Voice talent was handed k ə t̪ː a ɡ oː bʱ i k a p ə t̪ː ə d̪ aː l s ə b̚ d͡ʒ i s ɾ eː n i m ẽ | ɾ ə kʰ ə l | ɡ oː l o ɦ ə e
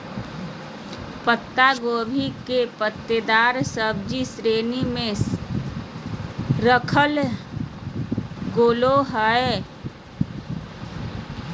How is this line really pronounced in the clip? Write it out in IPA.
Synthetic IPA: p ə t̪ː a ɡ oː bʱ i k e p ə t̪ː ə d̪ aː ɾ s ə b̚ d͡ʒ i s ɾ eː n i m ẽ | ɾ ə kʰ ə l | ɡ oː l o ɦ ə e